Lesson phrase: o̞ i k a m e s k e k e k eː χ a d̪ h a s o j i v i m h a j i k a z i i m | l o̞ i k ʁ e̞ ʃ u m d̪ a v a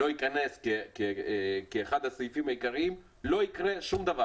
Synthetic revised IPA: o̞ i k a n e s k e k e k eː χ a d̪ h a s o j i f i m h a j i k a ʁ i i m | l o̞ i k ʁ e̞ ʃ u m d̪ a v a